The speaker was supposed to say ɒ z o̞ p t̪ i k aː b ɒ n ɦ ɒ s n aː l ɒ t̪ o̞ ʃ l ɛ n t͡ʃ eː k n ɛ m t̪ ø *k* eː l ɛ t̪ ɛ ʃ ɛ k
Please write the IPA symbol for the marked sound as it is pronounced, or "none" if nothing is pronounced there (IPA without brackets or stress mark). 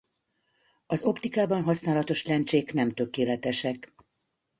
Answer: k